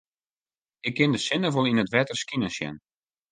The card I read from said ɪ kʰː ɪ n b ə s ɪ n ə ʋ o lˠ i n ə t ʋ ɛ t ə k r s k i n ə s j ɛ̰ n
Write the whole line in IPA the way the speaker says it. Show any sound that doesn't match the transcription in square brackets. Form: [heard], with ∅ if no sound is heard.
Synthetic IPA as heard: ɪ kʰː ɪ n [d] ə s ɪ n ə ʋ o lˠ i n ə t ʋ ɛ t ə [∅] r s k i n ə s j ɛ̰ n